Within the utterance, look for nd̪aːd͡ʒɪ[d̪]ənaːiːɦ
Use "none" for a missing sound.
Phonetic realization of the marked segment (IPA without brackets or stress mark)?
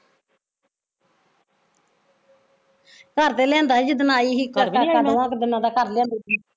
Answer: d̪